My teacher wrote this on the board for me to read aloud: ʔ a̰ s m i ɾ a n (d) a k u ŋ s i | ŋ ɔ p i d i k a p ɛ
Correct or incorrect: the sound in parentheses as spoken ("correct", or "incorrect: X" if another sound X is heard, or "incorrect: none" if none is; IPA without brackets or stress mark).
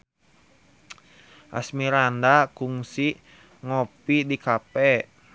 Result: correct